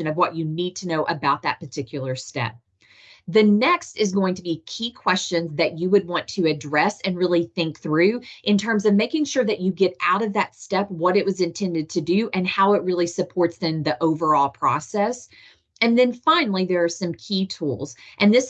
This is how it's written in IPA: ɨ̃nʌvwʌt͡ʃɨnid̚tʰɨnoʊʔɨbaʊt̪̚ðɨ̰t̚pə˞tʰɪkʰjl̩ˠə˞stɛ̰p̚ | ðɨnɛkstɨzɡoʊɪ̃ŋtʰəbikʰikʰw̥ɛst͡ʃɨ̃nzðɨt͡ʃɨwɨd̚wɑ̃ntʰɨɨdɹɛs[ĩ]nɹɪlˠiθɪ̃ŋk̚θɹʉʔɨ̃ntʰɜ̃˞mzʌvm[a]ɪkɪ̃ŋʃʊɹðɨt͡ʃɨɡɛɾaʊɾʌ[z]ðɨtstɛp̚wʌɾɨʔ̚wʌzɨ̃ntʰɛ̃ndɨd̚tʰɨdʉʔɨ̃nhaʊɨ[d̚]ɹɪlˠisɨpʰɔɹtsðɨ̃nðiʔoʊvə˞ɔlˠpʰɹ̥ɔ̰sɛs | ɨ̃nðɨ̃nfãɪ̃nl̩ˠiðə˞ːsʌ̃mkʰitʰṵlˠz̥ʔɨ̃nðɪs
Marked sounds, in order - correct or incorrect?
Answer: incorrect: ɨ̃, incorrect: e, incorrect: v, incorrect: t̚

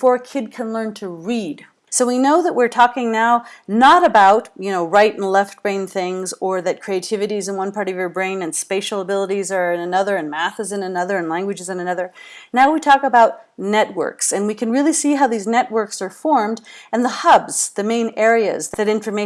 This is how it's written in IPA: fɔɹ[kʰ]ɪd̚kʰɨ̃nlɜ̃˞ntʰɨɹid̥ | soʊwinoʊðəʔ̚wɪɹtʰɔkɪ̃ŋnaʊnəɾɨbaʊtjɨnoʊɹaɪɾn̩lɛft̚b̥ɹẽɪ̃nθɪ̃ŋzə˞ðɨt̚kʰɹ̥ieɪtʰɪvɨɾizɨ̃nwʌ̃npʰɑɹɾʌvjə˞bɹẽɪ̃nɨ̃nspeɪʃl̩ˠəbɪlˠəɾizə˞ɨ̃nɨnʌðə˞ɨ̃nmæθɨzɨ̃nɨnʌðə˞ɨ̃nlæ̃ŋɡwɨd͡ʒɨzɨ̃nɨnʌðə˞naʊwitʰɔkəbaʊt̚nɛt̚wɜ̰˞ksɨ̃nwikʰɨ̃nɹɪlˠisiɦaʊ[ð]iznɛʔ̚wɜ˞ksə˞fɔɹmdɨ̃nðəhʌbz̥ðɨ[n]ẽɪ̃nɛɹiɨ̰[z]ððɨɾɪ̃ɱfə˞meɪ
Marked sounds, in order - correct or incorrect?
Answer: correct, correct, incorrect: m, correct

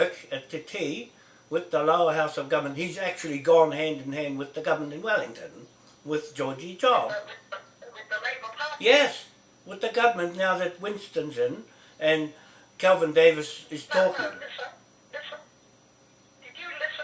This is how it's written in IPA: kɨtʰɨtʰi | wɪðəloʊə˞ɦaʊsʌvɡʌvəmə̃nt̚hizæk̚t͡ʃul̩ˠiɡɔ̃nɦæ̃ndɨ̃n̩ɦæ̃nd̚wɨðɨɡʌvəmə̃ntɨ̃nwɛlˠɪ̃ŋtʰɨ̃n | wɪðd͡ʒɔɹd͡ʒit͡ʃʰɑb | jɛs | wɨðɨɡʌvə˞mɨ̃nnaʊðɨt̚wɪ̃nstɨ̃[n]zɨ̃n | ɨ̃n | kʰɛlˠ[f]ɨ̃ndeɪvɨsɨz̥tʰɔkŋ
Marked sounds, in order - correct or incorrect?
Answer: correct, incorrect: v

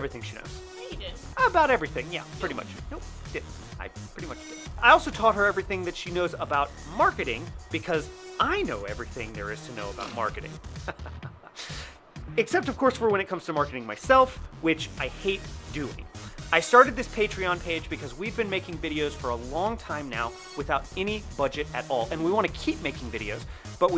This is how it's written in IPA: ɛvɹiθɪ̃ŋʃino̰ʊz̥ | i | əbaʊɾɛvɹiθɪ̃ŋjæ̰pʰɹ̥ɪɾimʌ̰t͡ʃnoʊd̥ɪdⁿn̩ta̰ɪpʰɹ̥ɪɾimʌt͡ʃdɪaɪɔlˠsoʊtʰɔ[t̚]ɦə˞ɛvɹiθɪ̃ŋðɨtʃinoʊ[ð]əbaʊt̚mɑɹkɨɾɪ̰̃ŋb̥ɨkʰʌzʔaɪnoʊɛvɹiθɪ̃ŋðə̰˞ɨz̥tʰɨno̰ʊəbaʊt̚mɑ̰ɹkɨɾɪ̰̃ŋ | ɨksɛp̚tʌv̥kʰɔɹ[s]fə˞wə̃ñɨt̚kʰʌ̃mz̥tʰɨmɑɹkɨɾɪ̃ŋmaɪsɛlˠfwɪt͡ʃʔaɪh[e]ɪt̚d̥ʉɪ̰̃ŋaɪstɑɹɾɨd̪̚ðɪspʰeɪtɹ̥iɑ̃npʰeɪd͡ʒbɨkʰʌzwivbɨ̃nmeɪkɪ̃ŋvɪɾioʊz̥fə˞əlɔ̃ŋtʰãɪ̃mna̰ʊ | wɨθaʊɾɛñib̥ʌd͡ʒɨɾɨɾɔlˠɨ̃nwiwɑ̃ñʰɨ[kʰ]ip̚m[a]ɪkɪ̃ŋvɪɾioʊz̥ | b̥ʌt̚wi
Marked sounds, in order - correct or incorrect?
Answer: correct, incorrect: z, correct, correct, correct, incorrect: e

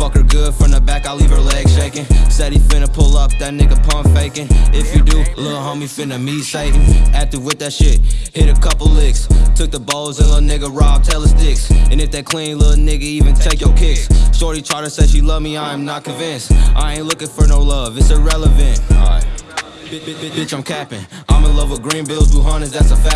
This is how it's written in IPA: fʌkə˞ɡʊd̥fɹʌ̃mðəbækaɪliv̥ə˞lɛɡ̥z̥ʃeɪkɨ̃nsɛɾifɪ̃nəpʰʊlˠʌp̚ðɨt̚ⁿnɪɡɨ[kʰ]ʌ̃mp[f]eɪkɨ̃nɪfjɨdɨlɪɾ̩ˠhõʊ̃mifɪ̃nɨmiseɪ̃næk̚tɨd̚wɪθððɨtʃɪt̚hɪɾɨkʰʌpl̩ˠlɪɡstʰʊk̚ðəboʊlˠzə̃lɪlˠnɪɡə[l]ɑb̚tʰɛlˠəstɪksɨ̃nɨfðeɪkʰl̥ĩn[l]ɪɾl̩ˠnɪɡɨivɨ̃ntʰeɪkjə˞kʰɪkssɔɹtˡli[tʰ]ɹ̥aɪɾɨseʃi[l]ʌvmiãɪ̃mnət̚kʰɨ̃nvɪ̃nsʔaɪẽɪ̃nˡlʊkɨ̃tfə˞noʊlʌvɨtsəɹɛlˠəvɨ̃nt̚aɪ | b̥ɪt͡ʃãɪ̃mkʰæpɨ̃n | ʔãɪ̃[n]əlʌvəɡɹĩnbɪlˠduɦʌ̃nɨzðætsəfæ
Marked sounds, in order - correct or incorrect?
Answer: incorrect: pʰ, correct, incorrect: ɹ, correct, correct, correct, incorrect: m

